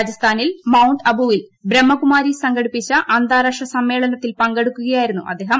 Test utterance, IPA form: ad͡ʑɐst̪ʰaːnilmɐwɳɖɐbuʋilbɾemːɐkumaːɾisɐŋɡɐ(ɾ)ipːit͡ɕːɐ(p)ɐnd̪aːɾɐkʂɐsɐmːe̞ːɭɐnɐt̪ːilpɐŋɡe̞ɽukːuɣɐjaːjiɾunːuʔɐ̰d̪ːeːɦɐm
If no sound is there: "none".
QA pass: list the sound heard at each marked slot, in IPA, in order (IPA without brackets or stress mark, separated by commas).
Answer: ɽ, ʔ